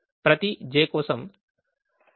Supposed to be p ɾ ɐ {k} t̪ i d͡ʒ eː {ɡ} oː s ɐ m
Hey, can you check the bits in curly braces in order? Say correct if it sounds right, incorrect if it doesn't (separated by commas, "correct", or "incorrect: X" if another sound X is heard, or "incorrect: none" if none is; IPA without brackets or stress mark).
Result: incorrect: none, incorrect: k